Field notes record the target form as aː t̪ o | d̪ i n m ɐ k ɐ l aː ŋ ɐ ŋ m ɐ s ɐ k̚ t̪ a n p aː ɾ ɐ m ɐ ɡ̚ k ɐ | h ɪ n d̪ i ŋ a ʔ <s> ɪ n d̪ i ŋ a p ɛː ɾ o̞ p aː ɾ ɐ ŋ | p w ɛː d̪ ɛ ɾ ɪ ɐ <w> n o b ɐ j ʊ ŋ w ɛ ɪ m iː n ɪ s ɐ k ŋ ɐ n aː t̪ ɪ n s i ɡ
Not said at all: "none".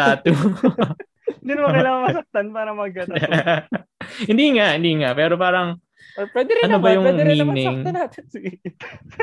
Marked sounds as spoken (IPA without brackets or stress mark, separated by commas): h, none